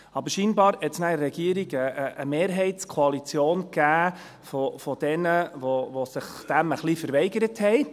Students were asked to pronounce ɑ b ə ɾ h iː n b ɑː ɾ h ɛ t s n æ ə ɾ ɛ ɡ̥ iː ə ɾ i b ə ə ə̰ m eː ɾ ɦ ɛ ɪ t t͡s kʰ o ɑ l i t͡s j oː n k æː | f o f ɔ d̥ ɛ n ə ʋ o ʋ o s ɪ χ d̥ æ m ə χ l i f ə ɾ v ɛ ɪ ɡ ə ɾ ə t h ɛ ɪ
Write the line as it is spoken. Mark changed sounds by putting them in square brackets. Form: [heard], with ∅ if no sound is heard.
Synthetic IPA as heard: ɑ b ə ɾ [ʃ] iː n b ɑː ɾ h ɛ t s n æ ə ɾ ɛ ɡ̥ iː ə ɾ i [ɡ] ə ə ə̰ m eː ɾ ɦ ɛ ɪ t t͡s kʰ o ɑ l i t͡s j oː n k æː | f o f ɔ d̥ ɛ n ə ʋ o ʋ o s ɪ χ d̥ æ m ə χ l i f ə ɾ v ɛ ɪ ɡ ə ɾ ə t h ɛ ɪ